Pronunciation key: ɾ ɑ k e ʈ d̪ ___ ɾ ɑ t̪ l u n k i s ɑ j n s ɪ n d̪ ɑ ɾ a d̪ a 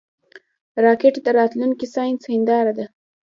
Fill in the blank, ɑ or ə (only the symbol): ə